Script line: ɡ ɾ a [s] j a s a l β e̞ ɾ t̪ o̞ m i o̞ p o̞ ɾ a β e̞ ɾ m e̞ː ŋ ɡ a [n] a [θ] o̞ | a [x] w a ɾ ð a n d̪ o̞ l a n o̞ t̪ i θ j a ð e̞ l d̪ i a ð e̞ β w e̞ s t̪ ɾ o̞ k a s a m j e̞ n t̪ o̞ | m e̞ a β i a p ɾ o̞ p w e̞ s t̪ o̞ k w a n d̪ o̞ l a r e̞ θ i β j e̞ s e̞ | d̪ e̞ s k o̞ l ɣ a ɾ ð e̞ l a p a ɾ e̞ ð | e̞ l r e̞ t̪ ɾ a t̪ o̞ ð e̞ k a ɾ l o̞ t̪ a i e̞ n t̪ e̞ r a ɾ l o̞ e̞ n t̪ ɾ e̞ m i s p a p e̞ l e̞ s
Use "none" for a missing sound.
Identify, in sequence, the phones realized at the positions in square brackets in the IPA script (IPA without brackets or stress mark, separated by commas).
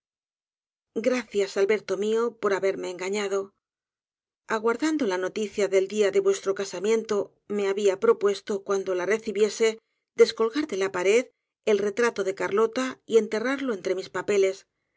θ, ɲ, ð, ɣ